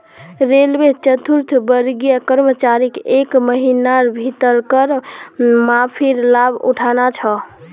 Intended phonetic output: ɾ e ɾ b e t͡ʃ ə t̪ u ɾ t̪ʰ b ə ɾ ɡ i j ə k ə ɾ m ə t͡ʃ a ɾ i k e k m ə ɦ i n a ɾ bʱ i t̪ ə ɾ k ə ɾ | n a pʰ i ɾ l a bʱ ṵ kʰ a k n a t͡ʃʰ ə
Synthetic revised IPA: ɾ e l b e t͡ʃ ə t̪ u ɾ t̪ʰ b ə ɾ ɡ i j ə k ə ɾ m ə t͡ʃ a ɾ i k e k m ə ɦ i n a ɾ bʱ i t̪ ə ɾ k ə ɾ | m a pʰ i ɾ l a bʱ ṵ ʈʰ a n a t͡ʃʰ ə